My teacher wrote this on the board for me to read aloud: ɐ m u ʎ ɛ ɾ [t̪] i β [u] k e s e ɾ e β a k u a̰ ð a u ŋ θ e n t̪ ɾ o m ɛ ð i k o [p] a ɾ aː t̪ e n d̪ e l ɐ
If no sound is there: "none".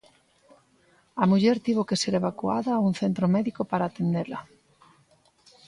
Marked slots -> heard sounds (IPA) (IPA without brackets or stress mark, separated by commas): t̪, o, p